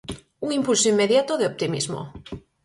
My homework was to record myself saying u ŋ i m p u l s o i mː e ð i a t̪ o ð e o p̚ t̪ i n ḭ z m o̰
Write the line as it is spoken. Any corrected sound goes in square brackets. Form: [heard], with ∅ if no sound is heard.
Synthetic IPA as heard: u ŋ i m p u l s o i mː e ð [j] a t̪ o ð e o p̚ t̪ i [m] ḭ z m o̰

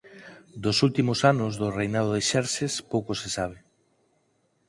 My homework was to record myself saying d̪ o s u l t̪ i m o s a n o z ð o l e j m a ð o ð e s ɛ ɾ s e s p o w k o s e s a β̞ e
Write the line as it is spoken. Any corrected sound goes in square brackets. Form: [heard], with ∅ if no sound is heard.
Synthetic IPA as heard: d̪ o s u l t̪ i m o s a n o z ð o [r] e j [n] a ð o ð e [ʃ] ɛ ɾ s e s p o w k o s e s a β̞ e

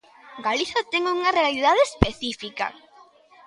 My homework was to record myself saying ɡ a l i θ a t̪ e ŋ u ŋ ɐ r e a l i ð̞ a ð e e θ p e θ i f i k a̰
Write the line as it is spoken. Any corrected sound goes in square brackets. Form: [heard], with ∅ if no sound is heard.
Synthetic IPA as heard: ɡ a l i θ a t̪ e ŋ u ŋ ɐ r e a l i ð̞ a ð e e [s] p e θ i f i k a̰

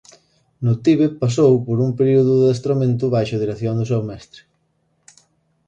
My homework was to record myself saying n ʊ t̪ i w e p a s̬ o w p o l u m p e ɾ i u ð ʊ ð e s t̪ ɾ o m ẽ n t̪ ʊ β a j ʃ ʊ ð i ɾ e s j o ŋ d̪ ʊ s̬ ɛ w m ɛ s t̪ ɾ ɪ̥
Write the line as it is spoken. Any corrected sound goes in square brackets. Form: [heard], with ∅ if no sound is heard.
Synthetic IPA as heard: n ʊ t̪ i [β] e p a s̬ o w p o [ɾ] u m p e ɾ i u ð ʊ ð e s t̪ ɾ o m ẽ n t̪ ʊ β a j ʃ ʊ ð i ɾ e [θ] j o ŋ d̪ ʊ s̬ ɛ w m ɛ s t̪ ɾ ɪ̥

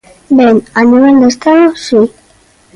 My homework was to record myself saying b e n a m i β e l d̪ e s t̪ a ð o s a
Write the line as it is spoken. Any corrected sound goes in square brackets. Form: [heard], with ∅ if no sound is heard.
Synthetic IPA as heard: b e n a [n] i β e l d̪ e s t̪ a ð o s [i]

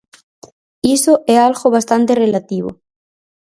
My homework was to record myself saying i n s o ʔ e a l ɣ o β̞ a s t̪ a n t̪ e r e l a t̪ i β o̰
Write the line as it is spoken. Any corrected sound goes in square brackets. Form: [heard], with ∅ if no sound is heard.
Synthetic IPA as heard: i [∅] s o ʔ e a l ɣ o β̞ a s t̪ a n t̪ e r e l a t̪ i β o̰

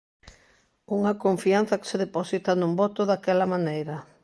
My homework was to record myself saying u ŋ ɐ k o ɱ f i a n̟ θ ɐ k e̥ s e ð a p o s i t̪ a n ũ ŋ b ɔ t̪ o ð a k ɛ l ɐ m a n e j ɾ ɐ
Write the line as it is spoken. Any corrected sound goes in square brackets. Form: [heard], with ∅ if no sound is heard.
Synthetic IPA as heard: u ŋ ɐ k o ɱ f i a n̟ θ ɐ k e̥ s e ð [e] p o s i t̪ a n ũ [m] b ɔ t̪ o ð a k ɛ l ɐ m a n e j ɾ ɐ

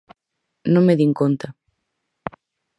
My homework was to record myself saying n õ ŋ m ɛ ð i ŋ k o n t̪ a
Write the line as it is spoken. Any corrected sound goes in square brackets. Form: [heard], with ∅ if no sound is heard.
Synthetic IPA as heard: n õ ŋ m [e] ð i ŋ k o n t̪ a

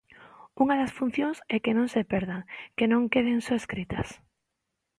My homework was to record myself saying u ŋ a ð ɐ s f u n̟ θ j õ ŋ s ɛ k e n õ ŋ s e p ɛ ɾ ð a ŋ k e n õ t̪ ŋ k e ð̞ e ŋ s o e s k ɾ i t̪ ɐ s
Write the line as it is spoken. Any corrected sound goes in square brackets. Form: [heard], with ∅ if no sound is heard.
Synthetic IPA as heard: u ŋ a ð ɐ s f u n̟ θ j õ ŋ s ɛ k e n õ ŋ s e p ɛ ɾ ð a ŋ k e n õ [∅] ŋ k e ð̞ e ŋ s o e s k ɾ i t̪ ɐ s

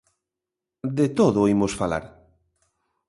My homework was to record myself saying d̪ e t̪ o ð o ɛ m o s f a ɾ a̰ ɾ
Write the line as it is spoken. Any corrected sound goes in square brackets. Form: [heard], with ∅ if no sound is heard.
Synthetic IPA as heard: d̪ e t̪ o ð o [i] m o s f a [l] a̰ ɾ

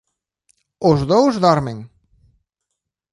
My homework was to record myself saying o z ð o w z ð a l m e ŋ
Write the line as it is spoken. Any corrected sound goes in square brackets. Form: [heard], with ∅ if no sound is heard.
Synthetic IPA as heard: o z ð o w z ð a [ɾ] m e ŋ

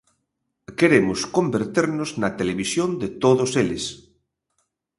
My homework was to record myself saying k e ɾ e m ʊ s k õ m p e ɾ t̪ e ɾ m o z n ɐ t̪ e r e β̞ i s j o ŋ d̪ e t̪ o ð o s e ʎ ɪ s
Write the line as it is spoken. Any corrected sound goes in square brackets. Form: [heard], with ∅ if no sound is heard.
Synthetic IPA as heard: k e ɾ e m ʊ s k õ m [b] e ɾ t̪ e ɾ [n] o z n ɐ t̪ e [l] e β̞ i s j o [n] d̪ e t̪ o ð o s e [l] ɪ s

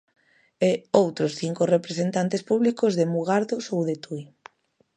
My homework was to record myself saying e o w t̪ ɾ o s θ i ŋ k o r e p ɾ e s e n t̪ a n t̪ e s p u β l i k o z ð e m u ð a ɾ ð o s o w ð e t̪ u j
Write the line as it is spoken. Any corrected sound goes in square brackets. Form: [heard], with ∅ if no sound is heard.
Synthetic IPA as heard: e o w t̪ ɾ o s θ i ŋ k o r e p ɾ e s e n t̪ a n t̪ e s p u β l i k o z ð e m u [ɣ] a ɾ ð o s o w ð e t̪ u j

